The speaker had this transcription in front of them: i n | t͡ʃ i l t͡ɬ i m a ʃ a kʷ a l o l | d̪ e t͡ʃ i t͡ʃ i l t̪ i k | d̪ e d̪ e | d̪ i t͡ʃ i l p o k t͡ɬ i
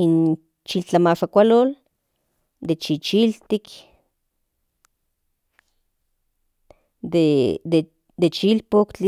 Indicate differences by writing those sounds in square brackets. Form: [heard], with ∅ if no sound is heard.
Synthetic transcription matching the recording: i n | t͡ʃ i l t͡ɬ [a] m a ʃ a kʷ a l o l | d̪ e t͡ʃ i t͡ʃ i l t̪ i k | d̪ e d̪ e | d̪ [e] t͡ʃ i l p o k t͡ɬ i